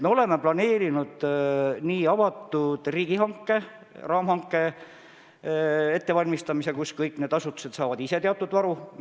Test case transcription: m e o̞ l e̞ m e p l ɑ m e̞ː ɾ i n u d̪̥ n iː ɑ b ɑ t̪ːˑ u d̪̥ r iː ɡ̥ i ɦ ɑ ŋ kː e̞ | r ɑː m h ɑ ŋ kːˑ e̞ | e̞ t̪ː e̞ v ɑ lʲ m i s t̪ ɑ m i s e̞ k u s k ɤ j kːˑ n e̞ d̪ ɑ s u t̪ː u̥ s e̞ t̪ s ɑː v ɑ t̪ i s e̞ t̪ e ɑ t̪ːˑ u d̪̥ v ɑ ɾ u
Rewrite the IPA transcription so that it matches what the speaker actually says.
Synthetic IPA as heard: m e o̞ l e̞ m e p l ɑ n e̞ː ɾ i n u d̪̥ n iː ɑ v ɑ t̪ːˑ u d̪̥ r iː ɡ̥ i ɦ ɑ ŋ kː e̞ | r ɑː m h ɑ ŋ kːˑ e̞ | e̞ t̪ː e̞ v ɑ lʲ m i s t̪ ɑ m i s e̞ k u s k ɤ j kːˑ n e̞ d̪ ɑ s u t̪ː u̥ s e̞ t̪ s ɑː v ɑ d̪ i s e̞ t̪ e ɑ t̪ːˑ u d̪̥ v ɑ ɾ u